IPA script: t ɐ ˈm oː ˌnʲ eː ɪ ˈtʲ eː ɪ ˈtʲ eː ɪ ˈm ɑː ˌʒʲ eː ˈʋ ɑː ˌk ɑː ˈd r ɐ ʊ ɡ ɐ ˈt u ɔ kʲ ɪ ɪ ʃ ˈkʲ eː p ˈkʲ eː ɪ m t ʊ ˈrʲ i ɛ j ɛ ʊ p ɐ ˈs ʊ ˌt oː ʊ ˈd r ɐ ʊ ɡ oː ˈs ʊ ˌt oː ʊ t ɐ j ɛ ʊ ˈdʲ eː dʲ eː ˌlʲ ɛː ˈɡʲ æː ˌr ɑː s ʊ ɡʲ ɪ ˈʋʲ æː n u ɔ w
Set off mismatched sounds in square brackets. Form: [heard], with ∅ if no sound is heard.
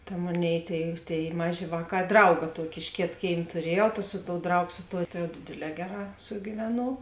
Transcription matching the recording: t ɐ ˈm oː ˌnʲ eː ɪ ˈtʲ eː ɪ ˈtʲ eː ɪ ˈm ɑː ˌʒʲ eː ˈʋ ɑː ˌk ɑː ˈd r ɐ ʊ ɡ ɐ ˈt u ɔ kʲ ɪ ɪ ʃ ˈkʲ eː [t] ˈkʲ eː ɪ m t ʊ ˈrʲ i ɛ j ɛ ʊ [t] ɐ ˈs ʊ ˌt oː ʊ ˈd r ɐ ʊ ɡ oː ˈs ʊ ˌt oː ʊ t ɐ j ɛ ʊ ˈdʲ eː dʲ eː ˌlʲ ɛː ˈɡʲ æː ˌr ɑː s ʊ ɡʲ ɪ ˈʋʲ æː n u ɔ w